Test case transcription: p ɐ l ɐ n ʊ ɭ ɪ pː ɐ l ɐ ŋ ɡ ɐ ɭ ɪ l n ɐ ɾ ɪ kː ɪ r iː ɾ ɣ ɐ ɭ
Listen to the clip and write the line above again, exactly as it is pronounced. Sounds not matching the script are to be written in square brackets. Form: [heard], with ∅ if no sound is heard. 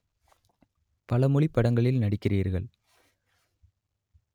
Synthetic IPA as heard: p ɐ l ɐ [m] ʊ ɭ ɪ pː ɐ [ɽ] ɐ ŋ ɡ ɐ ɭ ɪ l n ɐ [ɽ] ɪ kː ɪ r iː ɾ ɣ ɐ ɭ